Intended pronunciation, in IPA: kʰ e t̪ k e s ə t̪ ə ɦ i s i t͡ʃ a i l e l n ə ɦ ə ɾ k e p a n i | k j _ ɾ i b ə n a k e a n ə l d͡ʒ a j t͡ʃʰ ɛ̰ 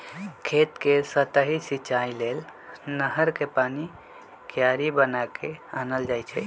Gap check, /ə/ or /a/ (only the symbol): a